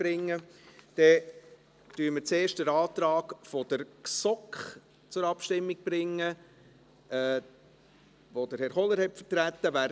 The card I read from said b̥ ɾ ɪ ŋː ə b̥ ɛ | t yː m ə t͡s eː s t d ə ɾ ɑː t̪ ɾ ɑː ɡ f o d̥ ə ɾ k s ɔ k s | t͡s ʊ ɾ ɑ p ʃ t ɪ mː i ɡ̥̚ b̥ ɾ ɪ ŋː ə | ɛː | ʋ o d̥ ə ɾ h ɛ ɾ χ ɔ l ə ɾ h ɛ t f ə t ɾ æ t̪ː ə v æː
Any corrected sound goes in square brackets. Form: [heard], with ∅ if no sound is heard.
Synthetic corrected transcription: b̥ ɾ ɪ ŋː ə [d̥] ɛ | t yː m ə t͡s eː [ʃ] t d ə ɾ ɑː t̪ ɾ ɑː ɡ f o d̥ ə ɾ k s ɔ k [χ] | t͡s ʊ ɾ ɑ p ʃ t ɪ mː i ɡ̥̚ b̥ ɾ ɪ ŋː ə | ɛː | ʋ o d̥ ə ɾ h ɛ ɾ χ ɔ l ə ɾ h ɛ t f ə t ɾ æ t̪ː ə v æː